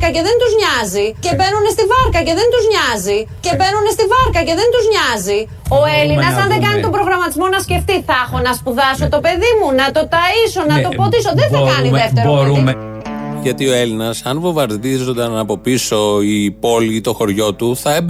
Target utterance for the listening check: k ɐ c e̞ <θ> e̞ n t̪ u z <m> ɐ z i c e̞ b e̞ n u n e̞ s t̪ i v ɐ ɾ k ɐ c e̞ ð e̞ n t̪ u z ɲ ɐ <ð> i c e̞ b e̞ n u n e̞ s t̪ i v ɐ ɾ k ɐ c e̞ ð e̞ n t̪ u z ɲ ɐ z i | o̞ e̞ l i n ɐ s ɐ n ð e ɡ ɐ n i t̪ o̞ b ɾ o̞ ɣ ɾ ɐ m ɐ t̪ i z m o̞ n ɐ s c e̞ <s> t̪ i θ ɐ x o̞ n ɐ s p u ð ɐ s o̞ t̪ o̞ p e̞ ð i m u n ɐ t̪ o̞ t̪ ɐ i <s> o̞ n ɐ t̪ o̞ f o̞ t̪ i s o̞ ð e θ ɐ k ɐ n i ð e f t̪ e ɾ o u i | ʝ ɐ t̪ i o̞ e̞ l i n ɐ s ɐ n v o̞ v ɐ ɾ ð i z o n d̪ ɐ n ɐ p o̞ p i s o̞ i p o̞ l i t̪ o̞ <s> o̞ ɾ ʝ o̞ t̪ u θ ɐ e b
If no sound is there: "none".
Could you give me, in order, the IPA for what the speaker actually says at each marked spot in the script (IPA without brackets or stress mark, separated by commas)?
ð, ɲ, z, f, s, x